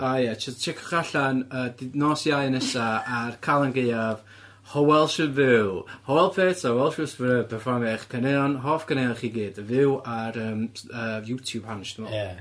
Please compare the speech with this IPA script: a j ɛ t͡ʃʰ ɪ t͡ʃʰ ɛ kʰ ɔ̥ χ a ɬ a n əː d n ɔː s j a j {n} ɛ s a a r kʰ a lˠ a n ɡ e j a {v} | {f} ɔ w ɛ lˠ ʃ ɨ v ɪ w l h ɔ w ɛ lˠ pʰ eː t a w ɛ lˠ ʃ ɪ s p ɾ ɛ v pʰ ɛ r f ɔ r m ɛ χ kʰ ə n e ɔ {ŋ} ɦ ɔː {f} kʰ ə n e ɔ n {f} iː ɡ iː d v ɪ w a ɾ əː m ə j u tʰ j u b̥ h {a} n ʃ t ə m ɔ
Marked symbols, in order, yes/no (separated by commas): yes, yes, no, no, yes, no, yes